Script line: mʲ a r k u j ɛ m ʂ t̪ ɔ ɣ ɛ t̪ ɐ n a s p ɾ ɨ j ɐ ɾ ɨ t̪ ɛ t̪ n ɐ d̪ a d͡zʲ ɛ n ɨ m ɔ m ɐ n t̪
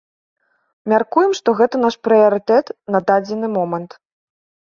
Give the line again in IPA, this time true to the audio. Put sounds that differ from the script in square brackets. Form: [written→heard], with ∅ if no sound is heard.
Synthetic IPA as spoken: mʲ a r k u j ɛ m ʂ t̪ ɔ ɣ ɛ t̪ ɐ n a [s→ʂ] p ɾ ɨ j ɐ ɾ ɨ t̪ ɛ t̪ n ɐ d̪ a d͡zʲ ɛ n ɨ m ɔ m ɐ n t̪